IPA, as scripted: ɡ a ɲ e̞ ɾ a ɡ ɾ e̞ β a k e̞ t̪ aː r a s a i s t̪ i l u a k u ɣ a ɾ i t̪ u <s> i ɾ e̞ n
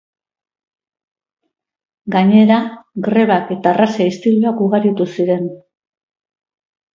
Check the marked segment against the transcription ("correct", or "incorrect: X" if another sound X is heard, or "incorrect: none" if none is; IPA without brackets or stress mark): correct